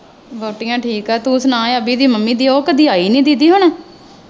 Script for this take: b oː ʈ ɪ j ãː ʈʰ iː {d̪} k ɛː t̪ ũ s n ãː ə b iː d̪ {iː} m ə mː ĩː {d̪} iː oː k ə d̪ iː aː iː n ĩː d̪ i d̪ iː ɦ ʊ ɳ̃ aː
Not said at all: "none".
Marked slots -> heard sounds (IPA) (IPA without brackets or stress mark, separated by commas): none, iː, d̪